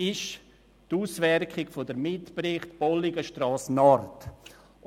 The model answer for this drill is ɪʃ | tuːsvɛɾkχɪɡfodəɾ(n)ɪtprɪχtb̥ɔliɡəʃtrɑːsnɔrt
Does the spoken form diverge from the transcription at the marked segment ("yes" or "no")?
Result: yes